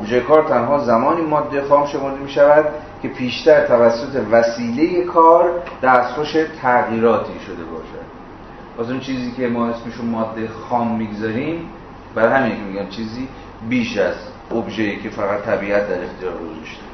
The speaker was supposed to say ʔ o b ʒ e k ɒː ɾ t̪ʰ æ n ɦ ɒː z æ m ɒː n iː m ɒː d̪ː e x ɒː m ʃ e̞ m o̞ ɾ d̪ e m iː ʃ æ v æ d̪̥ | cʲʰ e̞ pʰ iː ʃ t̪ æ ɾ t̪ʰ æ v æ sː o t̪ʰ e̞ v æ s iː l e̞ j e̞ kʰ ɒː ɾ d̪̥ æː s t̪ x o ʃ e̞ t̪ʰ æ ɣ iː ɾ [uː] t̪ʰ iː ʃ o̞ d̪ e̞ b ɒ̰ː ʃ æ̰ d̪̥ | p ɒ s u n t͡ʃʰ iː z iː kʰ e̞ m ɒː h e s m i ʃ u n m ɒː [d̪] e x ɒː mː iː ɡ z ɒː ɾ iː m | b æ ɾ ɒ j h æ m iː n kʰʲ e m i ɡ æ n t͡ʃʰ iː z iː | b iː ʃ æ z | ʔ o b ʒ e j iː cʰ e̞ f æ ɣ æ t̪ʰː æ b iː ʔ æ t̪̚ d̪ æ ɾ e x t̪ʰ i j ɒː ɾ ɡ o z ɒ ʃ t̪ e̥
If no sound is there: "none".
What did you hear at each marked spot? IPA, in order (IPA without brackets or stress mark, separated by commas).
ɒː, d̪ː